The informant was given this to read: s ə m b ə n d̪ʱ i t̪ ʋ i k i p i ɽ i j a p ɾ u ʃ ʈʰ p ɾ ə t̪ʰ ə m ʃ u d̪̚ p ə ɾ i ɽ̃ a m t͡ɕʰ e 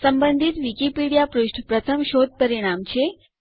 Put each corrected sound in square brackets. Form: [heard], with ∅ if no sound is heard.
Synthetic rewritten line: s ə m b ə n d̪ʱ i t̪ ʋ i k i p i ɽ i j a p ɾ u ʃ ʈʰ p ɾ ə t̪ʰ ə m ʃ [o] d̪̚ p ə ɾ i ɽ̃ a m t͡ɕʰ e